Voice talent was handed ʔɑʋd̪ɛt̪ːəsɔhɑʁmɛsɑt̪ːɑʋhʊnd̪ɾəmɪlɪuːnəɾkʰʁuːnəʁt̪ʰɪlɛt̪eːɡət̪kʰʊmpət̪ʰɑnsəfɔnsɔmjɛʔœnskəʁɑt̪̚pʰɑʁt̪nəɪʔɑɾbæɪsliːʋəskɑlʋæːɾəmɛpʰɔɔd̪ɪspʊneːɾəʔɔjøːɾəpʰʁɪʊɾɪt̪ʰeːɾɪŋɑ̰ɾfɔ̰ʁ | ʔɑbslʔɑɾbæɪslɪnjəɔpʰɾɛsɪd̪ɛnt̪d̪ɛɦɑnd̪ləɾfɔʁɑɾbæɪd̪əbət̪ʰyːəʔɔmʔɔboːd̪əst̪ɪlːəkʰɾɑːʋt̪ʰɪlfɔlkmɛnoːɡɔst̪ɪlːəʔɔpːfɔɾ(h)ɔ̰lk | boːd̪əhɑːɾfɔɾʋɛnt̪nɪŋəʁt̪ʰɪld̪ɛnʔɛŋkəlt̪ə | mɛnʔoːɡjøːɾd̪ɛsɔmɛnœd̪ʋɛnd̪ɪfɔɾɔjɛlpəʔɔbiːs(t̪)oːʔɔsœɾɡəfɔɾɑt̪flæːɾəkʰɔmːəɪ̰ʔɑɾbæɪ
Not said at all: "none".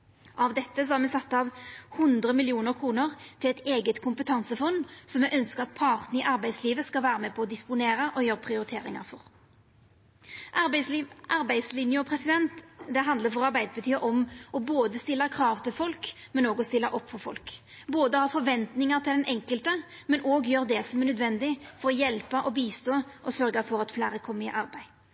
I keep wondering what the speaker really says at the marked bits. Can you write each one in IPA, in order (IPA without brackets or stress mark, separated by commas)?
f, t̪